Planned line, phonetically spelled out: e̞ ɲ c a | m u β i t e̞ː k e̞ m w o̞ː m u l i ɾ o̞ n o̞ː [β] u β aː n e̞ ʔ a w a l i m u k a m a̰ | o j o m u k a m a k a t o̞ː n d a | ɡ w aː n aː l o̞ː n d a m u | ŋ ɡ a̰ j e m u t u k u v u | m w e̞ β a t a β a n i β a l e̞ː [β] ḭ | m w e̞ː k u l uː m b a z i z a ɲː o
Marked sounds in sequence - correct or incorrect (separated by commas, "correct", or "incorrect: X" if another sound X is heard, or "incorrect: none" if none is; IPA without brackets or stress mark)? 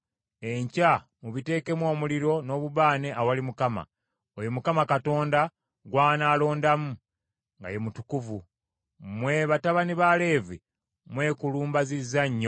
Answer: correct, incorrect: v